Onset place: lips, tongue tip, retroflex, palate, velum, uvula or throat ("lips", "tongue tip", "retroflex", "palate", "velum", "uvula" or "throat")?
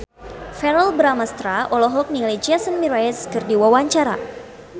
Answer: lips